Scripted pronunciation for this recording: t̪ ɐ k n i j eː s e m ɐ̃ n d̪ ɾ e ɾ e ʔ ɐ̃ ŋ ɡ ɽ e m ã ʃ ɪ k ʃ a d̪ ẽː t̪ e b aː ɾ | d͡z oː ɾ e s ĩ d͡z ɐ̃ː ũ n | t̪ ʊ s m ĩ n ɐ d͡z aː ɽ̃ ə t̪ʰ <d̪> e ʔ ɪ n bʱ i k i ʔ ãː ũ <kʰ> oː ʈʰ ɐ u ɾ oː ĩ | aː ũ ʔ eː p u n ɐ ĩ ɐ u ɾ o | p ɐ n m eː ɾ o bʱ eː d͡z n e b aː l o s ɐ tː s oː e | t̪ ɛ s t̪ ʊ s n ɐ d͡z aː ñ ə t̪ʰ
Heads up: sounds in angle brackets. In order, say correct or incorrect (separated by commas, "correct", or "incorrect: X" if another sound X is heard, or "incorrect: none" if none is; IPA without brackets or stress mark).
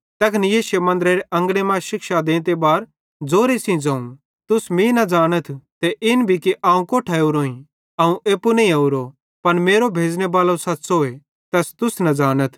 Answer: incorrect: t̪, incorrect: k